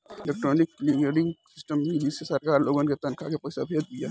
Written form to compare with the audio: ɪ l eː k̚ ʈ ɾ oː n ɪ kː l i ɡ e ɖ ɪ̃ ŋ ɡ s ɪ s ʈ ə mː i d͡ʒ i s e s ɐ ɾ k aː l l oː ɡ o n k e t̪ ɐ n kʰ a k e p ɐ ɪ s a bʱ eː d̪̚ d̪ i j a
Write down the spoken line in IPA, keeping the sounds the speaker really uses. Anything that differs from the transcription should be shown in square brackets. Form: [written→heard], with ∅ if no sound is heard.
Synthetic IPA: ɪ l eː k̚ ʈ ɾ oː n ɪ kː l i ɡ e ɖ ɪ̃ ŋ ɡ s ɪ s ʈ ə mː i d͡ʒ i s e s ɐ ɾ k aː [l→ɾ] l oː ɡ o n k e t̪ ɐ n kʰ a k e p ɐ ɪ s a bʱ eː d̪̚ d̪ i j a